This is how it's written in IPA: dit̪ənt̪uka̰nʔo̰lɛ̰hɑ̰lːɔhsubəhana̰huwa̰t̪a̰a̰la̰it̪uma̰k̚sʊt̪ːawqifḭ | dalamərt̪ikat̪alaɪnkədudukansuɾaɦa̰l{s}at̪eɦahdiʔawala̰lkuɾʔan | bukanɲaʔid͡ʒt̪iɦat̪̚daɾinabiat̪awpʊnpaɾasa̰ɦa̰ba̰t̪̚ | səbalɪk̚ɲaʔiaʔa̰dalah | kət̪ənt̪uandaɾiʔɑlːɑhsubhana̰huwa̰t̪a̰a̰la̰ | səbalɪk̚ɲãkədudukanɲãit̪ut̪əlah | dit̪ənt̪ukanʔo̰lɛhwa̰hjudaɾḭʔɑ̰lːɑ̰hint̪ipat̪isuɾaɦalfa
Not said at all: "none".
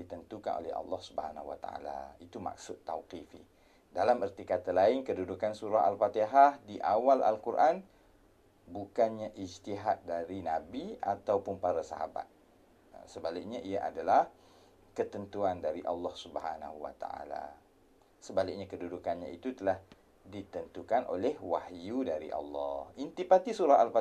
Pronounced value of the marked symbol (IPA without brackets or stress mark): f